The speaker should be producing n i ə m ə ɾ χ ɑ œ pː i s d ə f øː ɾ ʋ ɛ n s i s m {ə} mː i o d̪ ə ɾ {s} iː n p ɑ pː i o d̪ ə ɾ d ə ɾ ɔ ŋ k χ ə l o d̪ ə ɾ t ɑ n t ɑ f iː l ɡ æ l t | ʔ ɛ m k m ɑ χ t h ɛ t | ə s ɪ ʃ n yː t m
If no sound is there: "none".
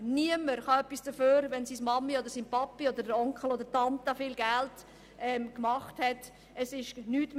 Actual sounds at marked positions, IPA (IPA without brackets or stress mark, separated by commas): ɑ, s